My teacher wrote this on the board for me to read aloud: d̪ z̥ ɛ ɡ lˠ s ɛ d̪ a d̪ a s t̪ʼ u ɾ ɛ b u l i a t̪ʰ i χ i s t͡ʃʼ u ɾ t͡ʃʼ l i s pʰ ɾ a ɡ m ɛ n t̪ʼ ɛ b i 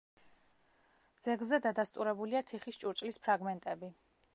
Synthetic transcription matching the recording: d̪ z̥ ɛ ɡ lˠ z ɛ d̪ a d̪ a s t̪ʼ u ɾ ɛ b u l i a t̪ʰ i χ i s t͡ʃʼ u ɾ t͡ʃʼ l i s pʰ ɾ a ɡ m ɛ n t̪ʼ ɛ b i